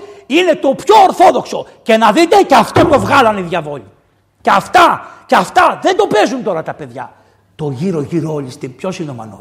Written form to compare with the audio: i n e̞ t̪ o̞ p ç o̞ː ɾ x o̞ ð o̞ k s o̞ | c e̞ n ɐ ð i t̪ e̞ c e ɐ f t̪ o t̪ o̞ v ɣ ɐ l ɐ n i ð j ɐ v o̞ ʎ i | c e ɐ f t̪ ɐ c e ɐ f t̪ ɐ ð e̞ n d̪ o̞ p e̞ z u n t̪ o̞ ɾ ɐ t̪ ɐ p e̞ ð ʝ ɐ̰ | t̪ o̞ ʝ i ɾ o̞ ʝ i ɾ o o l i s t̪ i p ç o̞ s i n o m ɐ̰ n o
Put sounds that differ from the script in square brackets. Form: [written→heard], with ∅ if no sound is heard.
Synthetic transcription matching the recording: i n e̞ t̪ o̞ p ç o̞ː ɾ [x→θ] o̞ ð o̞ k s o̞ | c e̞ n ɐ ð i t̪ e̞ c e ɐ f t̪ o t̪ o̞ v ɣ ɐ l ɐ n i ð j ɐ v o̞ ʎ i | c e ɐ f t̪ ɐ c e ɐ f t̪ ɐ ð e̞ n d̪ o̞ p e̞ z u n t̪ o̞ ɾ ɐ t̪ ɐ p e̞ ð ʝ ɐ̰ | t̪ o̞ ʝ i ɾ o̞ ʝ i ɾ o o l i s t̪ i p ç o̞ s i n o m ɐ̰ n o